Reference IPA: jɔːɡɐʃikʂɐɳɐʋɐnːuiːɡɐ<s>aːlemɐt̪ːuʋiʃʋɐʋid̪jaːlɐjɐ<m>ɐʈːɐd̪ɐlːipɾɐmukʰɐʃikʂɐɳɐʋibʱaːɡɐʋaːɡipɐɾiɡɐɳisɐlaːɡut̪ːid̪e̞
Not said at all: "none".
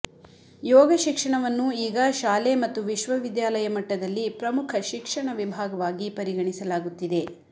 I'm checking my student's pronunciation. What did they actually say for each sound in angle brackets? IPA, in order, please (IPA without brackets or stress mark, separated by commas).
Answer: ʃ, m